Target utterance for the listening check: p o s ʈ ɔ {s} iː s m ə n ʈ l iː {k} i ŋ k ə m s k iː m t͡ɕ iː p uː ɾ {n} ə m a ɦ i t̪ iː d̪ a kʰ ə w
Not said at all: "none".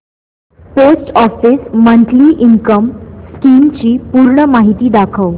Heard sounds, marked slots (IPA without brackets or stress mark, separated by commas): f, ʔ, ɳ